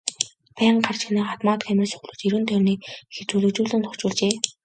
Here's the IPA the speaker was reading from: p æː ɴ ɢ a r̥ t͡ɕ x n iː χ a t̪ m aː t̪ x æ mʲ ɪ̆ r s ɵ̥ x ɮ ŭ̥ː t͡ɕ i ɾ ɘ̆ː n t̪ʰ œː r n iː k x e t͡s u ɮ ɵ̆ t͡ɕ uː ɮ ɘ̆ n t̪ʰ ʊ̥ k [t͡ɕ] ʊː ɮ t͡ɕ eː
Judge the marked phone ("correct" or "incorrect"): correct